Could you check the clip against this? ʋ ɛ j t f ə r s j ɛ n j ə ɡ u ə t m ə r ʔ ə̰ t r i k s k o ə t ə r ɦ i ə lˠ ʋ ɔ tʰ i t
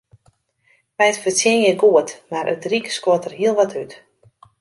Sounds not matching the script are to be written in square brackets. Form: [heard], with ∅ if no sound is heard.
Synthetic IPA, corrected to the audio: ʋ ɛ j t f ə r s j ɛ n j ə ɡ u ə t m [a] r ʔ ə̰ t r i k s k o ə t ə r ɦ i ə lˠ ʋ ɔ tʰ [y] t